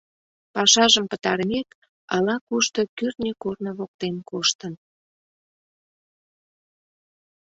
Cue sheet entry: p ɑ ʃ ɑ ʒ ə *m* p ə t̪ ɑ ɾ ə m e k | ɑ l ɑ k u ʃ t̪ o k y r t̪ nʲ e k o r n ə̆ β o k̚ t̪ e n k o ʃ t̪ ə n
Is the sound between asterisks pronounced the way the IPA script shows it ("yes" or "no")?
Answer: yes